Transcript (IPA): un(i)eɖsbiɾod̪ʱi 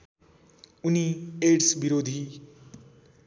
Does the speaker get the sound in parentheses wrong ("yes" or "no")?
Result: no